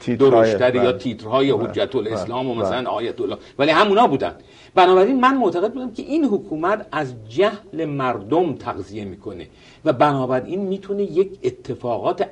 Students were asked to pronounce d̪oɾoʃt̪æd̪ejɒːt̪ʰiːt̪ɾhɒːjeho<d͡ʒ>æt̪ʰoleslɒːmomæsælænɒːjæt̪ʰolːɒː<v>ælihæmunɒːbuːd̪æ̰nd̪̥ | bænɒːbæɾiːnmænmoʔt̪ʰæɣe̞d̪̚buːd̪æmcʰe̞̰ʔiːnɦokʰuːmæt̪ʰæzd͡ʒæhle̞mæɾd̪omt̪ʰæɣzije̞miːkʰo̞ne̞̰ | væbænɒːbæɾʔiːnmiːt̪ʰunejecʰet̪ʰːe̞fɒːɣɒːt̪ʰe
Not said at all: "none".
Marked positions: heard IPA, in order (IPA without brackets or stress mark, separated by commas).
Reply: d͡ʒː, v